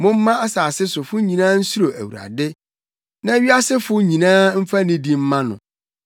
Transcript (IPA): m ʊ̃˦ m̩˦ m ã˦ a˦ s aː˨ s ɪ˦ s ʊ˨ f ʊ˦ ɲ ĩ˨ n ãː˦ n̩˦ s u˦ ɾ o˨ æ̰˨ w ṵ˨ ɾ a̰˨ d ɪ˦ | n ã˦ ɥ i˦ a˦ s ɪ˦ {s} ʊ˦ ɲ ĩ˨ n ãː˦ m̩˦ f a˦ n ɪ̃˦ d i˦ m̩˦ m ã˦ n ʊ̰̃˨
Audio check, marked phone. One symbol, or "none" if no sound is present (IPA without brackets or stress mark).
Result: f